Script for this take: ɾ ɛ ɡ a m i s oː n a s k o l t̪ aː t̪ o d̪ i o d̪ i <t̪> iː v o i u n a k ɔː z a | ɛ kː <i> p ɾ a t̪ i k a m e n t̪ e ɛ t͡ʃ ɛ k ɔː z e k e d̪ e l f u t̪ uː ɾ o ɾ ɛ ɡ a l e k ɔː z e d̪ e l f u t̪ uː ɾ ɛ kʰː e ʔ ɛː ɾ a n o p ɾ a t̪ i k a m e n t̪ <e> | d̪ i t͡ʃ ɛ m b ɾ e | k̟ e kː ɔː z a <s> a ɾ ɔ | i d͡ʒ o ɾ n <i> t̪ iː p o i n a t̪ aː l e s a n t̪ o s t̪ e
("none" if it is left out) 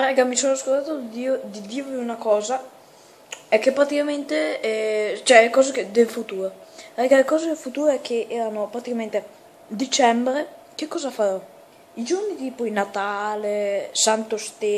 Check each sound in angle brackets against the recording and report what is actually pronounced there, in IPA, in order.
d̪, e, e, f, i

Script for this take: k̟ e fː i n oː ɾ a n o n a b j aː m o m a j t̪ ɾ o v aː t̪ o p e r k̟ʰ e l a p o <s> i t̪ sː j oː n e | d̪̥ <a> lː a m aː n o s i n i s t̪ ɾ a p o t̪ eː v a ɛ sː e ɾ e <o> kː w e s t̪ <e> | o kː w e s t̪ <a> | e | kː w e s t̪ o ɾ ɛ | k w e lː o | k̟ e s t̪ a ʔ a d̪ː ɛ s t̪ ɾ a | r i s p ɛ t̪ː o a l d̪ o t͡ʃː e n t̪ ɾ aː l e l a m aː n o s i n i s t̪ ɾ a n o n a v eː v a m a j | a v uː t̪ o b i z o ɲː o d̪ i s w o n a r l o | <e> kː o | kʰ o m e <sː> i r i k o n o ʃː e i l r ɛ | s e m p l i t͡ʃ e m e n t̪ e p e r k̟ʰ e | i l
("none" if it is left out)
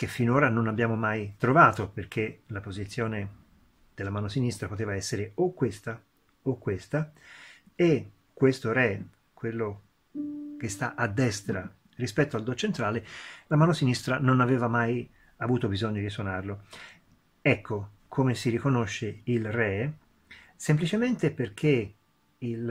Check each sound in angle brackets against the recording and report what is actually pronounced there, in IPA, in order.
z, e, o, a, a, ɛ, s

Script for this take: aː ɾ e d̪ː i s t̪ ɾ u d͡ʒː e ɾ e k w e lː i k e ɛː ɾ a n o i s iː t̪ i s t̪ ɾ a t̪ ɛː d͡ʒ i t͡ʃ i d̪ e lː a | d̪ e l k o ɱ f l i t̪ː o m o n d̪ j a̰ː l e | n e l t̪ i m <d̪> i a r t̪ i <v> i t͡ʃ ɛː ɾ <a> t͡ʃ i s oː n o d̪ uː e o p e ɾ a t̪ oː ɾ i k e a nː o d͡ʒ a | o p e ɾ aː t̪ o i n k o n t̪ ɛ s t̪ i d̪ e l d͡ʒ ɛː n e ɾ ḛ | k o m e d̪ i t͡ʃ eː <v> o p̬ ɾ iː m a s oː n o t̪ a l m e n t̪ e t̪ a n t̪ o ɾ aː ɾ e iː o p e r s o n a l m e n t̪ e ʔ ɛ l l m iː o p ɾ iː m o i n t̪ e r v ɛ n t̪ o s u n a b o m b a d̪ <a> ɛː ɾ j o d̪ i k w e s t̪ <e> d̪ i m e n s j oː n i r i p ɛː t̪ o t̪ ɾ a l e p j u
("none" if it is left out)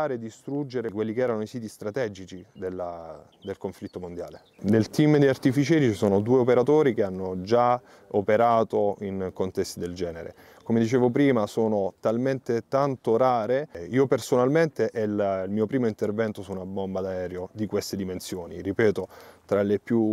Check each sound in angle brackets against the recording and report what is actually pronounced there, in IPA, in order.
d̪, f, i, v, a, e

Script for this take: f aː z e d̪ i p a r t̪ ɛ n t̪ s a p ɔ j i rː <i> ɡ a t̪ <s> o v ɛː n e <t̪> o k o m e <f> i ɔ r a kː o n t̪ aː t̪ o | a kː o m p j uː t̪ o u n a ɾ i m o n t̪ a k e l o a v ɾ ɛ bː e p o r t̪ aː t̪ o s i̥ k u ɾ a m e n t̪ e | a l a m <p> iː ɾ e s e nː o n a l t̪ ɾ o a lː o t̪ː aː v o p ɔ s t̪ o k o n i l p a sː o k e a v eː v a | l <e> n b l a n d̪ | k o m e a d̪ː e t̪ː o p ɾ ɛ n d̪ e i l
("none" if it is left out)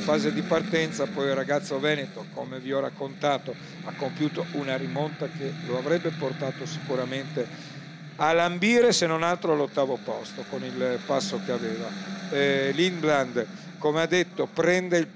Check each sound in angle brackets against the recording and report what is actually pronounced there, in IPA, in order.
a, sː, t̪, v, b, i

